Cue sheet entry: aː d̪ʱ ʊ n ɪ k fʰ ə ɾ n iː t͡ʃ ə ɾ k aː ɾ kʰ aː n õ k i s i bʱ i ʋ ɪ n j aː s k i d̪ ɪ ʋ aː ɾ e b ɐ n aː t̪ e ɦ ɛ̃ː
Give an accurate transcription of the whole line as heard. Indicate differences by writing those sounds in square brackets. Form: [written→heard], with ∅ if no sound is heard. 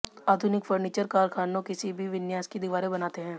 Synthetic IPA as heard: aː d̪ʱ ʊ n ɪ k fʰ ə ɾ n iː t͡ʃ ə ɾ k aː ɾ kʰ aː n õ k [i→ɪ] s i bʱ i ʋ ɪ n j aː s k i d̪ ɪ ʋ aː ɾ e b ɐ n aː t̪ e ɦ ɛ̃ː